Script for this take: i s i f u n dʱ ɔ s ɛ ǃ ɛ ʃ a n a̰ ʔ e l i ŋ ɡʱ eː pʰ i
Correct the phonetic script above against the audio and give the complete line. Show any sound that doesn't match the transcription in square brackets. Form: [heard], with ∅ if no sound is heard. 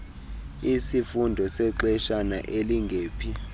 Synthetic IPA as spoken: i s i f u n dʱ ɔ s ɛ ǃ ɛ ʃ a n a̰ ʔ e l i ŋ ɡʱ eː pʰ i

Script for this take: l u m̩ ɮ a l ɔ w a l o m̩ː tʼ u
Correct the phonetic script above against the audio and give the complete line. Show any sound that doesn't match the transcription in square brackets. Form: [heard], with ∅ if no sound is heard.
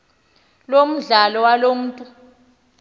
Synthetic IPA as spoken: l [o] m̩ ɮ a l ɔ w a l o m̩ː tʼ u

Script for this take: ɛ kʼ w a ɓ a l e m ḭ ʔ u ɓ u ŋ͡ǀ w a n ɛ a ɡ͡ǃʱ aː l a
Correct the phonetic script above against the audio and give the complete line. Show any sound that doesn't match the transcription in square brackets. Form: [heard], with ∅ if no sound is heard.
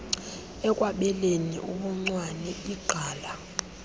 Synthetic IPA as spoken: ɛ kʼ w a ɓ [ɛ] l e [n] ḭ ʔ u ɓ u ŋ͡ǀ w a n ɛ [i] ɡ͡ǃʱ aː l a

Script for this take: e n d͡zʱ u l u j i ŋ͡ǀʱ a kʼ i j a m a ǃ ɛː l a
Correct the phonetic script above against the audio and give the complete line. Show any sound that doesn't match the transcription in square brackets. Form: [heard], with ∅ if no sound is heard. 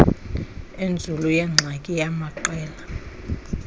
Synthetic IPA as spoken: e n d͡zʱ u l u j [ɛ] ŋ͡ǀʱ a kʼ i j a m a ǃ ɛː l a

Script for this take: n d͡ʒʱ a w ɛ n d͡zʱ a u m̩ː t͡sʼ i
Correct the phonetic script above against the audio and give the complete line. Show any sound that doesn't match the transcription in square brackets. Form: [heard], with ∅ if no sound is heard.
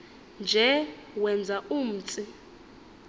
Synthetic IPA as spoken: n d͡ʒʱ [ɛ] w ɛ n d͡zʱ a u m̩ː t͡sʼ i

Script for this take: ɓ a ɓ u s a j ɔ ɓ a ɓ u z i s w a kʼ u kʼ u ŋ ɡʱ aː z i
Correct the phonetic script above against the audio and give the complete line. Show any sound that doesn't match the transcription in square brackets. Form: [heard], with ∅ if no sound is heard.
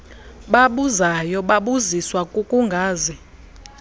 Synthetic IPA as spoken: ɓ a ɓ u [z] a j ɔ ɓ a ɓ u z i s w a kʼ u kʼ u ŋ ɡʱ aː z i

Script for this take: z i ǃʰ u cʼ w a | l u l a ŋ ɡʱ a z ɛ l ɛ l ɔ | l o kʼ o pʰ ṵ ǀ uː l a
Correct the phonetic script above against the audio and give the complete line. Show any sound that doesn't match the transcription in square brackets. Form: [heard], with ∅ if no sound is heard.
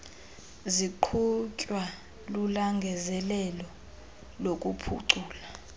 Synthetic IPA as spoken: z i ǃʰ u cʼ w a | l u l a ŋ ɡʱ [ɛ] z ɛ l ɛ l ɔ | l o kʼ [u] pʰ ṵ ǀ uː l a

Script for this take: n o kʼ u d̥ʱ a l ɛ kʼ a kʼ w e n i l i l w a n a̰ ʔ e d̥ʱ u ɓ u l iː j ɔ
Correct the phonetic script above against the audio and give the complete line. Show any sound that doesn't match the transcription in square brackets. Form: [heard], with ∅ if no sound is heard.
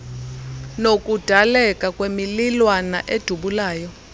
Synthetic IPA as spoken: n o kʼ u d̥ʱ a l ɛ kʼ a kʼ w e [m] i l i l w a n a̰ ʔ e d̥ʱ u ɓ u l [aː] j ɔ

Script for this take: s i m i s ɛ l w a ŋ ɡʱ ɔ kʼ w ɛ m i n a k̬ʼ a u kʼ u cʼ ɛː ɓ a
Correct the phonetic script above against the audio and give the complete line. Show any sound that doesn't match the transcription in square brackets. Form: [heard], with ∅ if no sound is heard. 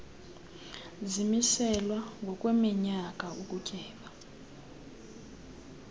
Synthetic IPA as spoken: [z] i m i s ɛ l w a ŋ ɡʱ ɔ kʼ w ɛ m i [ɲ] a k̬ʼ a u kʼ u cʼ ɛː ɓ a

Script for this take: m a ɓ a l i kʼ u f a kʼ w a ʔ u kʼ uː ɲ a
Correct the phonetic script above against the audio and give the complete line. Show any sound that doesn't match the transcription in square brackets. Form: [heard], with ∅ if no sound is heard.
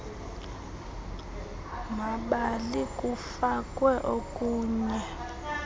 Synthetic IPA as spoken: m a ɓ a l i kʼ u f a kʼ w [ɛ] ʔ [o] kʼ uː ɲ [ɛ]

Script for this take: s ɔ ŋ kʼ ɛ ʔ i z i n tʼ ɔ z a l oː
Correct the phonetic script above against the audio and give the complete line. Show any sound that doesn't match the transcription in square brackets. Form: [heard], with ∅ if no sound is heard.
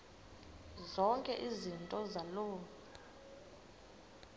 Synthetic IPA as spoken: [z] ɔ ŋ kʼ ɛ ʔ i z i n tʼ ɔ z a l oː

